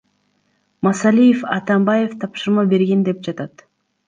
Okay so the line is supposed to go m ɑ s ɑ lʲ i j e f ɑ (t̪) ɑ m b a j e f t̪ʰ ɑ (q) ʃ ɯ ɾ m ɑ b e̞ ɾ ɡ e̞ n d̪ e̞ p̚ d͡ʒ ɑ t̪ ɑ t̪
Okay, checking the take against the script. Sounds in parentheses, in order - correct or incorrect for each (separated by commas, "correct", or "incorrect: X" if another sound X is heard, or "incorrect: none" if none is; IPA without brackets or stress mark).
correct, incorrect: p